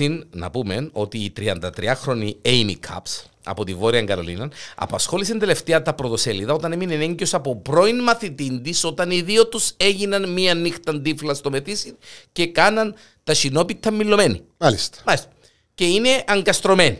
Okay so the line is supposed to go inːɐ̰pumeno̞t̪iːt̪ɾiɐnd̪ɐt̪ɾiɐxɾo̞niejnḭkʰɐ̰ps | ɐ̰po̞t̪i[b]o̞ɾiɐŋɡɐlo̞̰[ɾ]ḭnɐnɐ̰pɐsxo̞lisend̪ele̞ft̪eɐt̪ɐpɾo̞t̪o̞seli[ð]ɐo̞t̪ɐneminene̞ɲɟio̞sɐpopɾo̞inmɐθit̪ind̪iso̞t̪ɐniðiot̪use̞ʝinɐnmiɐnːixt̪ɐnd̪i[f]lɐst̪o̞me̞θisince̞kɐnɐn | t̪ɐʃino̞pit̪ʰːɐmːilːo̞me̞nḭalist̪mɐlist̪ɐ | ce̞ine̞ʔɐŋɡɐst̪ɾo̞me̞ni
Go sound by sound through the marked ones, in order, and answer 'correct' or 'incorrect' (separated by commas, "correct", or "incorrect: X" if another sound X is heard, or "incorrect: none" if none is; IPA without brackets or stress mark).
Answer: incorrect: v, incorrect: l, correct, correct